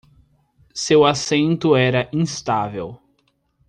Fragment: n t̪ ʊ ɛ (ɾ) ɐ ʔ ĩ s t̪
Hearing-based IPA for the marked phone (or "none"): ɾ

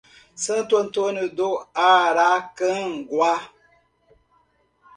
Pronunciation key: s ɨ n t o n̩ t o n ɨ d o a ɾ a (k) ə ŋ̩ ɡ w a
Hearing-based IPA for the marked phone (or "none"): k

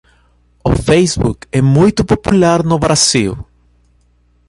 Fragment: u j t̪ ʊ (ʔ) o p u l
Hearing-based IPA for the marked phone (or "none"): p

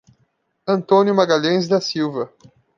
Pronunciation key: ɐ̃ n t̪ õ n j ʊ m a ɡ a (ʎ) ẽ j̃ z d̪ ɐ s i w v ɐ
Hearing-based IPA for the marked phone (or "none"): ʎ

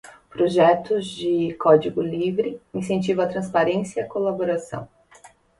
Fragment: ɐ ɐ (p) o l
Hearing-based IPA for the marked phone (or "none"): k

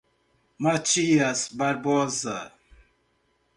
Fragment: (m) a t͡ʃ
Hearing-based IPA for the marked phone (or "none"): m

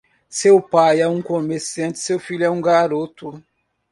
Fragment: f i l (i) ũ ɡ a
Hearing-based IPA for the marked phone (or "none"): ɛ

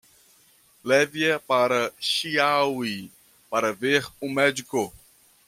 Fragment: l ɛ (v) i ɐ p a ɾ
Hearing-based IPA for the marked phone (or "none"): v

